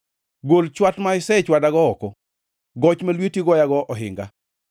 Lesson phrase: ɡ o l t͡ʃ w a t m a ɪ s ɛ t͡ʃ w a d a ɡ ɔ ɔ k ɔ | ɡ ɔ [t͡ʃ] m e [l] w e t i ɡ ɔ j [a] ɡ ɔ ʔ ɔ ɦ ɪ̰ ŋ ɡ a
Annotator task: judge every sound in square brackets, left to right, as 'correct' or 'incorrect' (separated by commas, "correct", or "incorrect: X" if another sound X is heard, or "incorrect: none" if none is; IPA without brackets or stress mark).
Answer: correct, correct, correct